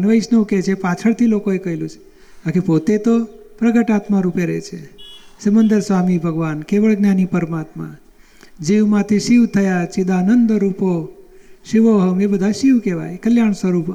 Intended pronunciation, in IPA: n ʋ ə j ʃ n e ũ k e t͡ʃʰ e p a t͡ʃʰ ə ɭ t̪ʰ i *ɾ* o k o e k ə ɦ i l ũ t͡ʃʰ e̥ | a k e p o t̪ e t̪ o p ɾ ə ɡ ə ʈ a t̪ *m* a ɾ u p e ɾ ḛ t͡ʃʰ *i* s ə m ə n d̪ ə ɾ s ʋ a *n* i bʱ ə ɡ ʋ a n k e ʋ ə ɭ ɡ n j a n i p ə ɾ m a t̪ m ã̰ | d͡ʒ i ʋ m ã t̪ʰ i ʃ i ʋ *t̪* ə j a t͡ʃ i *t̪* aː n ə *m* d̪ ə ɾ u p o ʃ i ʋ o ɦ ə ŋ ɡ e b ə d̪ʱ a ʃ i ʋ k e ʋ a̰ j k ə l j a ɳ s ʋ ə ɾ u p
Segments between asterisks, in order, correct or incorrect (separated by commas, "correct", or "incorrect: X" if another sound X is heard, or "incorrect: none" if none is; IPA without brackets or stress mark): incorrect: l, correct, incorrect: e, incorrect: m, incorrect: t̪ʰ, incorrect: d̪, incorrect: n